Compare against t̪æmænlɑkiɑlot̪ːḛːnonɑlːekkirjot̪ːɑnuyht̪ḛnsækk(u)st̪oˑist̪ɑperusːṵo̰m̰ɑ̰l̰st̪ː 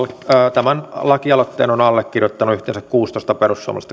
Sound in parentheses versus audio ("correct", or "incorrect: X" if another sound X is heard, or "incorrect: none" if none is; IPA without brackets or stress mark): incorrect: uː